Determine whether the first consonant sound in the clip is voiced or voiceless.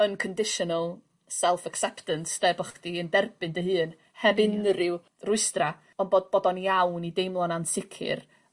voiced